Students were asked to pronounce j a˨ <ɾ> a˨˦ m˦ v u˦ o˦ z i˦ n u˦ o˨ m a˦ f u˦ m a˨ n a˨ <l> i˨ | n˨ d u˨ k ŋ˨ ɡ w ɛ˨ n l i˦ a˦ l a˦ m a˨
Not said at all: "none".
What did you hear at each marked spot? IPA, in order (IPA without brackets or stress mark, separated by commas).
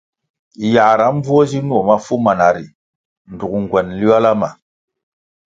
ɾ, ɾ